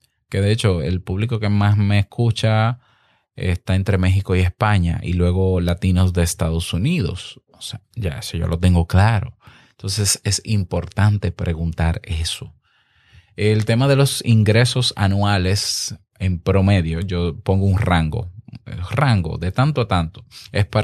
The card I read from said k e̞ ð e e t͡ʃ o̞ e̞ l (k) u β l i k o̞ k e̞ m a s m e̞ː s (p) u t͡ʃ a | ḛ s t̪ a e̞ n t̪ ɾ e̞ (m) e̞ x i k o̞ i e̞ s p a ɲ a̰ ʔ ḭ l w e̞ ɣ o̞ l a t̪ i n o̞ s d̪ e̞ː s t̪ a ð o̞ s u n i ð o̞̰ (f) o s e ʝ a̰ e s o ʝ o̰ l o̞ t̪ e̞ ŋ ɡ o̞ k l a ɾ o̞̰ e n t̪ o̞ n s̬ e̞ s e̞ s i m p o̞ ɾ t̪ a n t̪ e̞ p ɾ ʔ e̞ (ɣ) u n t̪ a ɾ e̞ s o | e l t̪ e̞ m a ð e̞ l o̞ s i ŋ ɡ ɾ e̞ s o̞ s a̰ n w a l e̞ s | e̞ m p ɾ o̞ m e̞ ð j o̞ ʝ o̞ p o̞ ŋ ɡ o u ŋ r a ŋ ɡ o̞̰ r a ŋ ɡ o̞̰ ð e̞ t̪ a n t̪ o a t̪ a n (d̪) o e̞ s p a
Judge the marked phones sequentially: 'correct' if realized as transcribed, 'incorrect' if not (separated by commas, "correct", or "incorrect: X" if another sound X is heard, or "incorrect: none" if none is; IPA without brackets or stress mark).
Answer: incorrect: p, incorrect: k, correct, incorrect: s, correct, incorrect: t̪